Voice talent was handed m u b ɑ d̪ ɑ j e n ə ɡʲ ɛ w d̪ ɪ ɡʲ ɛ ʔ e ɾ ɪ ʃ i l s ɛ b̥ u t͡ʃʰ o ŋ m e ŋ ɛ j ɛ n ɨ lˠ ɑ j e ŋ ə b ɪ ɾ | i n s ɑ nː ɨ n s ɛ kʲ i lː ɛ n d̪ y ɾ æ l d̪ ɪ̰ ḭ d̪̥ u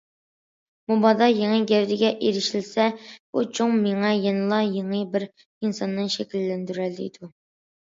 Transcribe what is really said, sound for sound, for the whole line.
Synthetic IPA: m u b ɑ d̪ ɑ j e ŋ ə ɡʲ ɛ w d̪ ɪ ɡʲ ɛ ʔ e ɾ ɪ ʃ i l s ɛ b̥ u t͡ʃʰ o ŋ m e ŋ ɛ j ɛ n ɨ lˠ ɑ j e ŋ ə b ɪ ɾ | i n s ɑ nː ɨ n ʃ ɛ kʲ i lː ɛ n d̪ y ɾ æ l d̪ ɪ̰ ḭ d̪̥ u